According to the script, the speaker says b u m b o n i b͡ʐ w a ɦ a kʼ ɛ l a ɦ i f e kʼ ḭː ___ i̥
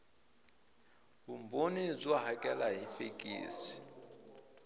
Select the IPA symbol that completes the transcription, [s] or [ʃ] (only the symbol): s